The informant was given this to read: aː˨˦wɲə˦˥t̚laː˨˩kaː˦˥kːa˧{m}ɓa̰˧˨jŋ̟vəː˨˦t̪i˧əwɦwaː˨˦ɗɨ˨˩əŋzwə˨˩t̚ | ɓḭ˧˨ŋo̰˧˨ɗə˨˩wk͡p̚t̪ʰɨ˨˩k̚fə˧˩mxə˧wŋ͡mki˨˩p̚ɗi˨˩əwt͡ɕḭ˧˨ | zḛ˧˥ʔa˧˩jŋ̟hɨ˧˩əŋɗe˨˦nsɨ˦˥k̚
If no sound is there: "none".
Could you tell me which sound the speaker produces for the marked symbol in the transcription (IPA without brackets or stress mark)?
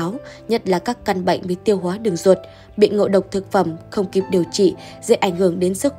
n